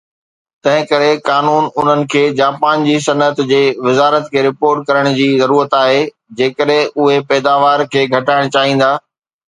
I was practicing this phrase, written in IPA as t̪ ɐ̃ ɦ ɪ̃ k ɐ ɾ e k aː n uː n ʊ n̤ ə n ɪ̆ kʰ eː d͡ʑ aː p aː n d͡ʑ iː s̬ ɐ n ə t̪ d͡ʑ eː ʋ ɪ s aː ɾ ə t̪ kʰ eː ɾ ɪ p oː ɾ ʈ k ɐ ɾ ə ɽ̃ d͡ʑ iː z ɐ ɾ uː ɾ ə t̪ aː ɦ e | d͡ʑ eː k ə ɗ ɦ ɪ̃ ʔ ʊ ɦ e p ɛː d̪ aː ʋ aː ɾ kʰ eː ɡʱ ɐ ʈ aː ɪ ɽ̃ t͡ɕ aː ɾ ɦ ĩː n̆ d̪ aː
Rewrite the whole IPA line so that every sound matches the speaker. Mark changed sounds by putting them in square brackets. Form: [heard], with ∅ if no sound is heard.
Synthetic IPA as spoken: t̪ ɐ̃ ɦ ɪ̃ k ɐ ɾ e k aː n uː n ʊ n̤ ə n ɪ̆ kʰ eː d͡ʑ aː p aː n d͡ʑ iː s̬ ɐ n ə t̪ d͡ʑ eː ʋ ɪ [z] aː ɾ ə t̪ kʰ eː ɾ ɪ p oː ɾ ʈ k ɐ ɾ ə ɽ̃ d͡ʑ iː z ɐ ɾ uː ɾ ə t̪ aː ɦ e | d͡ʑ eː k ə ɗ ɦ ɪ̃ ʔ ʊ ɦ e p ɛː d̪ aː ʋ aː ɾ kʰ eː ɡʱ ɐ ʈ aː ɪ ɽ̃ t͡ɕ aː [∅] ɦ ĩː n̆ d̪ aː